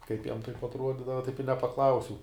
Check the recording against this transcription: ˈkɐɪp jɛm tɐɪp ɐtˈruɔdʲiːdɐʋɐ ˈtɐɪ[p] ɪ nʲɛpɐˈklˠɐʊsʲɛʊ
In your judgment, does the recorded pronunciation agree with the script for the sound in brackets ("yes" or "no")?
yes